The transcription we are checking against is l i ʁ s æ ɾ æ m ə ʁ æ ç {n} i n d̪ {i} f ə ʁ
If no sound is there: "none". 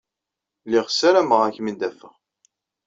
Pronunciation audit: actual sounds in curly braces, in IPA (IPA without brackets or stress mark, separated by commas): m, æ